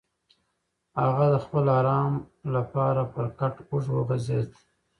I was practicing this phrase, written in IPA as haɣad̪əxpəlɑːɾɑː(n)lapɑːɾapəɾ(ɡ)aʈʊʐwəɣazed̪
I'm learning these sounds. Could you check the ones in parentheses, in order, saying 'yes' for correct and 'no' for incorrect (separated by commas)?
no, no